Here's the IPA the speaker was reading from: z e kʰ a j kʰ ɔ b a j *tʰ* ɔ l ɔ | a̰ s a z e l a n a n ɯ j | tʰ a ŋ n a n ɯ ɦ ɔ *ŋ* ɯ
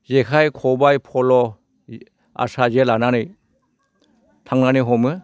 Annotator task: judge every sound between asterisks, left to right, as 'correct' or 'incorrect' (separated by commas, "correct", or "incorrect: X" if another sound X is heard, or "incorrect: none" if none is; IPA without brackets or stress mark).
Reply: incorrect: pʰ, incorrect: m